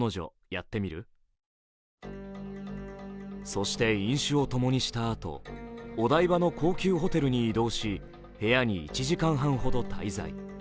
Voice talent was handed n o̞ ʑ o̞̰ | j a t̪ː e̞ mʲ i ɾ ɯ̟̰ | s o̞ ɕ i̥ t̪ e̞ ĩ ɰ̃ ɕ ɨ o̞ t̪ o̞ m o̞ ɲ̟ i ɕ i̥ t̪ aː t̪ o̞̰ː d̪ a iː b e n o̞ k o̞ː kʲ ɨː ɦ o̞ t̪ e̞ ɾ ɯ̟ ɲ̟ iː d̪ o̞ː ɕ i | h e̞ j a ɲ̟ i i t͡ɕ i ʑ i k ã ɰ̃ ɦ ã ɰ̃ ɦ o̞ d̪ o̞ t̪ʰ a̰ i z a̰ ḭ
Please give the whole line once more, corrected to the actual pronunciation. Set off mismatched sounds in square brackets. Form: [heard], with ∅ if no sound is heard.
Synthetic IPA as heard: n o̞ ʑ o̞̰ | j a t̪ː e̞ mʲ i ɾ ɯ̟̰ | s o̞ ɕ i̥ t̪ e̞ ĩ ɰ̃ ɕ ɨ o̞ t̪ o̞ m o̞ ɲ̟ i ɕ i̥ t̪ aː t̪ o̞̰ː d̪ a [i] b [a] n o̞ k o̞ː kʲ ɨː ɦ o̞ t̪ e̞ ɾ ɯ̟ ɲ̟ iː d̪ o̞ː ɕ i | h e̞ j a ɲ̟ i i t͡ɕ i ʑ i k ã ɰ̃ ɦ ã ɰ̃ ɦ o̞ d̪ o̞ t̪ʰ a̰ i z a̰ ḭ